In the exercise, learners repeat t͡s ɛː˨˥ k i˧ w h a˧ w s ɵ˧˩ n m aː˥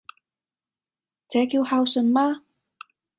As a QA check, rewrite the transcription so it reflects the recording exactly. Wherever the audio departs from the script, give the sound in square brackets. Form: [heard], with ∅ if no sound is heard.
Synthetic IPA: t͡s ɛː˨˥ k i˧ w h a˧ w s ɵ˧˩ n m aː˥